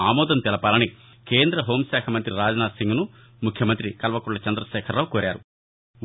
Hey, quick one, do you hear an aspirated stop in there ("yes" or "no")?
yes